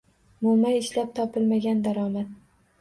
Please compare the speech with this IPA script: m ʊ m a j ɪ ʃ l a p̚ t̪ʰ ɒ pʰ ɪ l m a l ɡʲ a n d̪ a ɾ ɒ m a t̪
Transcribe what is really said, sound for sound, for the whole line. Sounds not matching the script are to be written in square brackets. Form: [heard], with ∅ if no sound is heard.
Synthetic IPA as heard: m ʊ m a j ɪ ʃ l a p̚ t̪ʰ ɒ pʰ ɪ l m a [∅] ɡʲ a n d̪ a ɾ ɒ m a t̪